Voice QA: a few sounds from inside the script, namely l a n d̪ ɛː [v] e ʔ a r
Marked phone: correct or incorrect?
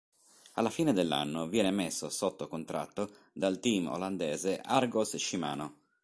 incorrect